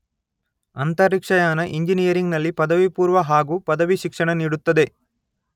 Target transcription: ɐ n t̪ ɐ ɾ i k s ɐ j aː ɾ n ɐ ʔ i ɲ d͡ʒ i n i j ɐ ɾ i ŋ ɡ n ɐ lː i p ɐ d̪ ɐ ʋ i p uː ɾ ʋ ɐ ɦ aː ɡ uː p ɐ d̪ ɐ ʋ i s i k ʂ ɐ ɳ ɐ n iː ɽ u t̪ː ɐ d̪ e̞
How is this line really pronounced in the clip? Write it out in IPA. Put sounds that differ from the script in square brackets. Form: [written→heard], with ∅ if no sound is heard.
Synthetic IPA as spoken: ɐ n t̪ ɐ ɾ i k [s→ʂ] ɐ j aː [ɾ→∅] n ɐ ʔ i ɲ d͡ʒ i n i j ɐ ɾ i ŋ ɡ n ɐ lː i p ɐ d̪ ɐ ʋ i p uː ɾ ʋ ɐ ɦ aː ɡ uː p ɐ d̪ ɐ ʋ i [s→ʃ] i k ʂ ɐ ɳ ɐ n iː ɽ u t̪ː ɐ d̪ e̞